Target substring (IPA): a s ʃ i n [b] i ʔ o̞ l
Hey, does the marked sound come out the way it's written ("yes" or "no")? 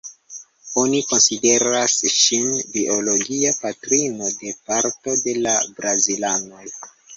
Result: yes